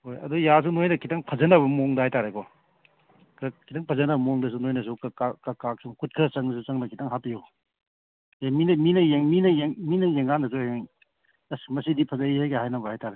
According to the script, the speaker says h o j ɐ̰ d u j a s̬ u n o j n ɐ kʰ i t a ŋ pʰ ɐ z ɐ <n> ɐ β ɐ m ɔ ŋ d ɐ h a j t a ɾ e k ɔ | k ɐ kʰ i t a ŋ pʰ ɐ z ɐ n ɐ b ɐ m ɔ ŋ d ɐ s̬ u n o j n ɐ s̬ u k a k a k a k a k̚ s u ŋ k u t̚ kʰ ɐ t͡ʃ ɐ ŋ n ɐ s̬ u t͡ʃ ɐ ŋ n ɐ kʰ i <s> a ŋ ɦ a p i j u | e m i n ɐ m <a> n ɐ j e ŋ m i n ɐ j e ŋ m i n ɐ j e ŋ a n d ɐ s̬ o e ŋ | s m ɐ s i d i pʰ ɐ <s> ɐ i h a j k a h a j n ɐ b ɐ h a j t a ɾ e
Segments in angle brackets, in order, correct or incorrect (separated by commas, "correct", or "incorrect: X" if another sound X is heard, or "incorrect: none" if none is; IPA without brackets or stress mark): correct, incorrect: t, incorrect: i, incorrect: z